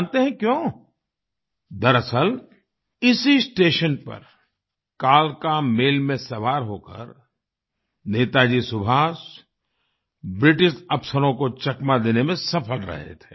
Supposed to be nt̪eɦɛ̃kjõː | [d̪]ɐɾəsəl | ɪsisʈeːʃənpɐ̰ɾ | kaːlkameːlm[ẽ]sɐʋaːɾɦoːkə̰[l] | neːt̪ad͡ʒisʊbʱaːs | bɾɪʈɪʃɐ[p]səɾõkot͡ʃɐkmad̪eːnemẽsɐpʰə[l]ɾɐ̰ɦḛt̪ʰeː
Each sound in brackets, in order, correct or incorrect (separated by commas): correct, correct, incorrect, correct, correct